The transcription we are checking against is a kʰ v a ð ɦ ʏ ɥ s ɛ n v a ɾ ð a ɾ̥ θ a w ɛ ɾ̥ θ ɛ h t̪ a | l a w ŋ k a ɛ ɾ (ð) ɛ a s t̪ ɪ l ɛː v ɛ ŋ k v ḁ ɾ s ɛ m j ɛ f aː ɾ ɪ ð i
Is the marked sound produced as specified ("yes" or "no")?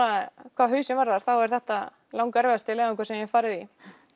no